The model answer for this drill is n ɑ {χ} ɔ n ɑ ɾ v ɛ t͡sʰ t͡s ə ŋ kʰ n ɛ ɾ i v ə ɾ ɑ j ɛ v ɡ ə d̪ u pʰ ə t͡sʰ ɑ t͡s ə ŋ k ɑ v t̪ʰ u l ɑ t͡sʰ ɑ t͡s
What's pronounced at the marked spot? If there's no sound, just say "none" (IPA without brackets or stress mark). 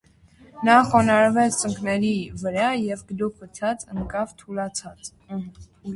χ